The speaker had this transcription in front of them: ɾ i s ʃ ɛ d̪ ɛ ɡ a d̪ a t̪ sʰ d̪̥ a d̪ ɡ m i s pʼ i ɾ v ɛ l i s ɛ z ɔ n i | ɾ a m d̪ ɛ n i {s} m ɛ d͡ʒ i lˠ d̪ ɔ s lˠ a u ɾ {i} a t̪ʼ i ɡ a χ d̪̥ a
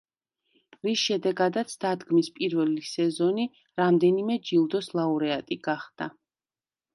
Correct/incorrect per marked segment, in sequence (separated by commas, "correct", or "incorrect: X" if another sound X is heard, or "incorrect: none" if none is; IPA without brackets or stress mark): incorrect: none, incorrect: ɛ